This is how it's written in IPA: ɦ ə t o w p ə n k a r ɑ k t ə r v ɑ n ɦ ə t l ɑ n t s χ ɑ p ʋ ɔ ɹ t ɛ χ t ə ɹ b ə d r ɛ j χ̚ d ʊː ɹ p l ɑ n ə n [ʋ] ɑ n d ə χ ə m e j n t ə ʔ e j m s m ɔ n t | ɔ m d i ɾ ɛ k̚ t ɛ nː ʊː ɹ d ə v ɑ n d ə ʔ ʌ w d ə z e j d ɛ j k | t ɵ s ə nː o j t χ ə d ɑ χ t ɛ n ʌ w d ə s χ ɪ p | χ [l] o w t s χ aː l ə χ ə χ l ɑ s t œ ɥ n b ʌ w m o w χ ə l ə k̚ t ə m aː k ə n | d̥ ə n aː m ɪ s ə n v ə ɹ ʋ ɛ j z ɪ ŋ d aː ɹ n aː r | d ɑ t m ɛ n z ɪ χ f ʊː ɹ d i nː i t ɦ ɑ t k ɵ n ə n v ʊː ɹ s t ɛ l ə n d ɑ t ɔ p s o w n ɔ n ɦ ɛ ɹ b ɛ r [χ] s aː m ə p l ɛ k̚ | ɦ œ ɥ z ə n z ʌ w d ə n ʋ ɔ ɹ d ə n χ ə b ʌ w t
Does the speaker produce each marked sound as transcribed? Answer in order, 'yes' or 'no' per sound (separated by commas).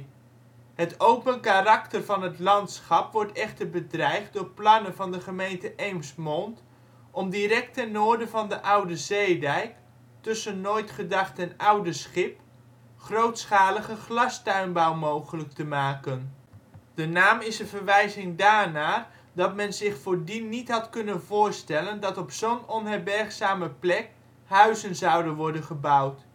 no, no, yes